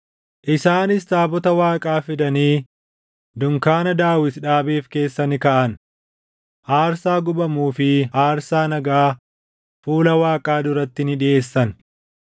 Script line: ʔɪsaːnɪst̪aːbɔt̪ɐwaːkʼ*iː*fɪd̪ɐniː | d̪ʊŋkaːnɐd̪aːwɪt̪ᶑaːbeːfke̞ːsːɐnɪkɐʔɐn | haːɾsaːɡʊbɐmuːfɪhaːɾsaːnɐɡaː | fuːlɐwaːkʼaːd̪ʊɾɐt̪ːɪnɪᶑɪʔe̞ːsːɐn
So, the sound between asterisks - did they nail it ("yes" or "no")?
no